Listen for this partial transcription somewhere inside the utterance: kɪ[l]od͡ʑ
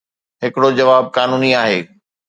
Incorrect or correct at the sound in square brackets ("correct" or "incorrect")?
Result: incorrect